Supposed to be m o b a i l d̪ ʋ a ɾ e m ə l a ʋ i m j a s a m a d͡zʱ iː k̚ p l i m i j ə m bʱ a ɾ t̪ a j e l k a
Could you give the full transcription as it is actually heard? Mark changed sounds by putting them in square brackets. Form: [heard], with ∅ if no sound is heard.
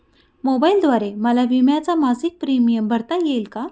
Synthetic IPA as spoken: m o b a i l d̪ ʋ a ɾ e m ə l a ʋ i m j a [t͡s] a m a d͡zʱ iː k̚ p [ɾ] i m i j ə m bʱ [ə] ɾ t̪ a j e l k a